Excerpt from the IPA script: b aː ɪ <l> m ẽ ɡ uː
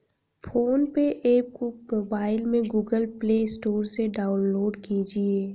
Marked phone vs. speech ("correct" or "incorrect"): correct